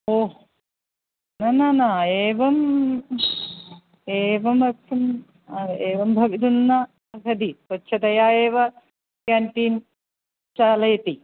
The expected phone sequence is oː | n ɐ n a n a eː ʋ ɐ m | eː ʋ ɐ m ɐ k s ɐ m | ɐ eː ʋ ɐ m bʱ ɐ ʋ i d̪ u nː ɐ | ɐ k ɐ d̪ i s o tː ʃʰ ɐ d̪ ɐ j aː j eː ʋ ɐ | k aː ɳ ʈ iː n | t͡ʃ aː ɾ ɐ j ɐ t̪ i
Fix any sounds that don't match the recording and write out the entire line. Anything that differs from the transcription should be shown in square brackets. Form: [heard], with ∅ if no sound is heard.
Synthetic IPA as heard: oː | n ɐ n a n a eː ʋ ɐ m | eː ʋ ɐ m ɐ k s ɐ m | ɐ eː ʋ ɐ m bʱ ɐ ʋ i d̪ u nː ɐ | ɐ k ɐ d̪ i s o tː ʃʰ ɐ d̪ ɐ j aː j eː ʋ ɐ | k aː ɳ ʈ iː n | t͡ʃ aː [l] ɐ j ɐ t̪ i